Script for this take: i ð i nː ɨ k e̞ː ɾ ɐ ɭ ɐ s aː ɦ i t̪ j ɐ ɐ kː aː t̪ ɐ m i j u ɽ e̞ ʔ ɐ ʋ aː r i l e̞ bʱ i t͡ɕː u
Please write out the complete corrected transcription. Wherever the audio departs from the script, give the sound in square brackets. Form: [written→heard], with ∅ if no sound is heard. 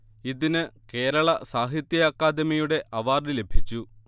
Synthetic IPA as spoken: i ð i [nː→n] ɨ k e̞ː ɾ ɐ ɭ ɐ s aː ɦ i t̪ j ɐ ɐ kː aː [t̪→d̪] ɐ m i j u ɽ e̞ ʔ ɐ ʋ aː r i l e̞ bʱ i t͡ɕː u